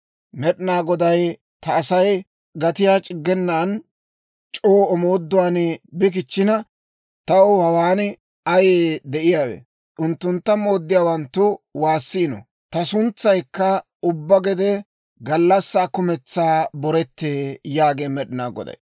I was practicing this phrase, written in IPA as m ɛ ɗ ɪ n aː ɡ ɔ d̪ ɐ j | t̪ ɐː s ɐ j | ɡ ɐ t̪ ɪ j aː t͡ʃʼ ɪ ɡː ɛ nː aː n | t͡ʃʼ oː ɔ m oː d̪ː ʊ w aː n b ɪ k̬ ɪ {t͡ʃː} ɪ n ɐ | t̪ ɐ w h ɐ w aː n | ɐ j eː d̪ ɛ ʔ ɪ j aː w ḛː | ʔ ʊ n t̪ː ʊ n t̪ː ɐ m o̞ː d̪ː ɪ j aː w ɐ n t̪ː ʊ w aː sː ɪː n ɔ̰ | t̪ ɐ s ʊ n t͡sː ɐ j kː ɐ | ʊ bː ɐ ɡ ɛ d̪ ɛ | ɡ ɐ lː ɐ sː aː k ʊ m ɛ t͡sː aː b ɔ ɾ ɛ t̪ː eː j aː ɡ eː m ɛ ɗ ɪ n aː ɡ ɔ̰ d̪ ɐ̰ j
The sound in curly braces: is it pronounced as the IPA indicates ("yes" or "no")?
yes